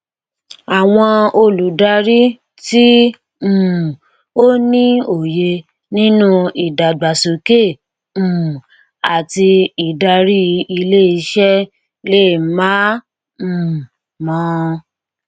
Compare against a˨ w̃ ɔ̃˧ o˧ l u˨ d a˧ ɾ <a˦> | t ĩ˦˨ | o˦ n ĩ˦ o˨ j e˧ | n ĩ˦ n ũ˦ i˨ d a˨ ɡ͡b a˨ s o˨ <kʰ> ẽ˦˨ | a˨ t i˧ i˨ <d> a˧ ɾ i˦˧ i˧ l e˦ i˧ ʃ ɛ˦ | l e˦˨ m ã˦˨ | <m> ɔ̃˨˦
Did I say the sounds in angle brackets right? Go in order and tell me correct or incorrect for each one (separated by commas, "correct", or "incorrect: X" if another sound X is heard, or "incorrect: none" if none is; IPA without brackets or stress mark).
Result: incorrect: i˦, incorrect: k, correct, correct